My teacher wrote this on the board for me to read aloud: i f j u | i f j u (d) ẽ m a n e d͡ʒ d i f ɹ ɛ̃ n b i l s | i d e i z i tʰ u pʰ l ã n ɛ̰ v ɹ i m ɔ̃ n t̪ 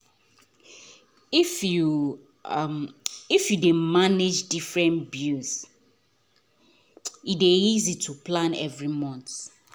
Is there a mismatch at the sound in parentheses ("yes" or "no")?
no